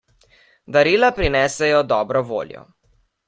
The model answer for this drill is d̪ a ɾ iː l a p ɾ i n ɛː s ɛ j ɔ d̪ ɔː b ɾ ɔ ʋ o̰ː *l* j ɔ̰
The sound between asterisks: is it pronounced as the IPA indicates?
yes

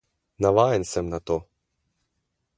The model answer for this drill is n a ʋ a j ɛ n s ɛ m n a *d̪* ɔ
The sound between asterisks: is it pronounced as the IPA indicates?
no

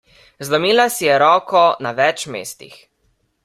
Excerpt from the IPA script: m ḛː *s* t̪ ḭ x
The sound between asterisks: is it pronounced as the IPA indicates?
yes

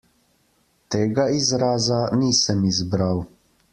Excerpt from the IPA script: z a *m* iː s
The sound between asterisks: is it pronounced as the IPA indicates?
no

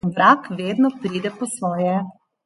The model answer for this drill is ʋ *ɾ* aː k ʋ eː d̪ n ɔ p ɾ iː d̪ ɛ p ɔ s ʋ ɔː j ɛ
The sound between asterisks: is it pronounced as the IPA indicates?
yes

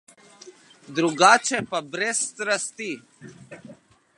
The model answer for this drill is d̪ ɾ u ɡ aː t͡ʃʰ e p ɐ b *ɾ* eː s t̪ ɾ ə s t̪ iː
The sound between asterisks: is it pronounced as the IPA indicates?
yes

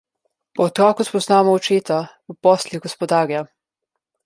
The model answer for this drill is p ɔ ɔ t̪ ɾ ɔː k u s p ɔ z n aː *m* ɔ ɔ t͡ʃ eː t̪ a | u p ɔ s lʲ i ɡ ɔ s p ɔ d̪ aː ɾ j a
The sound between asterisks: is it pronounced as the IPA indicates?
yes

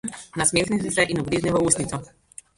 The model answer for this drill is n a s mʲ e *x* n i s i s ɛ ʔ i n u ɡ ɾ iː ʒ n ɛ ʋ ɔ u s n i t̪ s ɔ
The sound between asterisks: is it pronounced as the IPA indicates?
yes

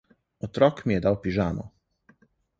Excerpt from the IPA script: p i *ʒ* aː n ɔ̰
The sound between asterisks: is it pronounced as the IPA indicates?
yes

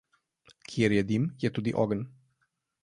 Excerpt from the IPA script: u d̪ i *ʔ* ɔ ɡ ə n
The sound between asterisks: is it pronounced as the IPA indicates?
yes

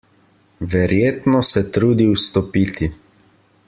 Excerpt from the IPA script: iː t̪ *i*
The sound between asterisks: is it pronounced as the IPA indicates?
yes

